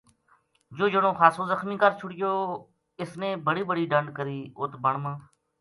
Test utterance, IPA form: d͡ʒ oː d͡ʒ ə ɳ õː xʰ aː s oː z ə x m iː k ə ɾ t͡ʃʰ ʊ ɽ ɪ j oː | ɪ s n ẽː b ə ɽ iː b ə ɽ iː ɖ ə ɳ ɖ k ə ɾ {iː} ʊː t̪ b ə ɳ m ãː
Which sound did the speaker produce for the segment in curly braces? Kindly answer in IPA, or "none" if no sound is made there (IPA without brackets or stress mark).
iː